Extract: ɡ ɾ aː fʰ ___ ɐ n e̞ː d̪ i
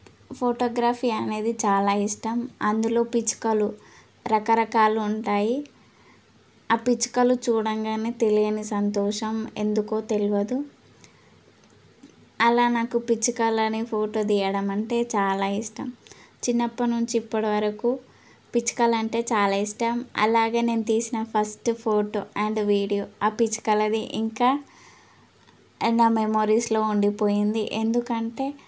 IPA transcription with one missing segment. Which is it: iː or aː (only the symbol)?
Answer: iː